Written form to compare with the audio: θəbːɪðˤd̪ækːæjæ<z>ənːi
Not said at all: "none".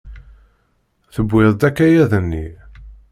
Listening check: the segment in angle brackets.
ð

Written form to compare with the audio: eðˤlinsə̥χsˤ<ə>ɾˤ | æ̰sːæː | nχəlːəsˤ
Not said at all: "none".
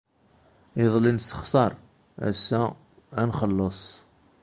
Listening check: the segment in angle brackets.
ɑ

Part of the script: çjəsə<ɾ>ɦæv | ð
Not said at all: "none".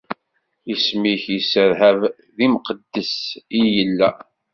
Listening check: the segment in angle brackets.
ɾ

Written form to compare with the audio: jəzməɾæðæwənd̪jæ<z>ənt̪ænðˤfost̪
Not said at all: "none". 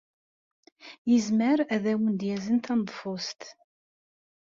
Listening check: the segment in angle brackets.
z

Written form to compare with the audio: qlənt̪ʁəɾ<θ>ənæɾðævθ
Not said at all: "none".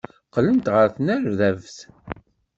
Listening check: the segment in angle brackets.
θ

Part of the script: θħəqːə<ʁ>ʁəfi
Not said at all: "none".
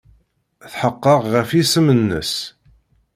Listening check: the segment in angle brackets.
ʁ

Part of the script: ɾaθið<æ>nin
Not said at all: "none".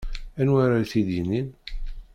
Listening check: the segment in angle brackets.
i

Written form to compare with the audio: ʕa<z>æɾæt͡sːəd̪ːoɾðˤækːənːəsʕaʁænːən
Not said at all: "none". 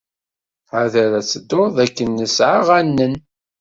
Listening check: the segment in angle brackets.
ð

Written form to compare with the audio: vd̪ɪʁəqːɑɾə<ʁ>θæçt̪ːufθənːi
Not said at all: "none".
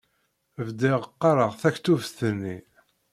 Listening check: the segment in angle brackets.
ʁ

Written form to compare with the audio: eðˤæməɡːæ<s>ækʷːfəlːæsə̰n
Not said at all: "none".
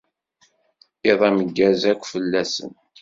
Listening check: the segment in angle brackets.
z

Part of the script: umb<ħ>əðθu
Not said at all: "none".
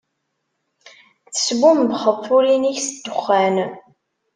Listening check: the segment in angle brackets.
χ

